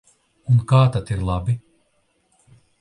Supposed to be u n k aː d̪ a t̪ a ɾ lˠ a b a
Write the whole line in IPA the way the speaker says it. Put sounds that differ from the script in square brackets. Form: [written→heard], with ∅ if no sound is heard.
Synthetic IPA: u n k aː [d̪→t̪] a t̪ [a→i] ɾ lˠ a b [a→i]